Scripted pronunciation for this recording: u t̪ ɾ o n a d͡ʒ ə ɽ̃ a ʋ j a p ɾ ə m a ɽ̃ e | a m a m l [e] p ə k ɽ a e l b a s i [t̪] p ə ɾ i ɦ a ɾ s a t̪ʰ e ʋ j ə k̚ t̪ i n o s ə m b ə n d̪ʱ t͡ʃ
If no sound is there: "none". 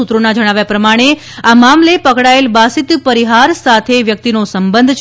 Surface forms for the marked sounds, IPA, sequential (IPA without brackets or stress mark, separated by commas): e, t̪